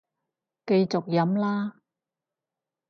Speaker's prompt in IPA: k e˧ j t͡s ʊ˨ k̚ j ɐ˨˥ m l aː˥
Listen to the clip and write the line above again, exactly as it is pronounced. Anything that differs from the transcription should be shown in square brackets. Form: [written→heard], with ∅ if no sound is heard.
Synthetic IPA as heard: k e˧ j t͡s ʊ˨ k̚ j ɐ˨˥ m l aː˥